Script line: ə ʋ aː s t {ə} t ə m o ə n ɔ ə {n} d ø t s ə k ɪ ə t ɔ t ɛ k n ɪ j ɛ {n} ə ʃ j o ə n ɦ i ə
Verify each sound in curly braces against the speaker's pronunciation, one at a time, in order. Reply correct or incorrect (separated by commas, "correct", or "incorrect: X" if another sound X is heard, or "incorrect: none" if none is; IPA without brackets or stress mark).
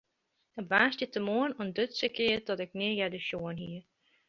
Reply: correct, correct, incorrect: d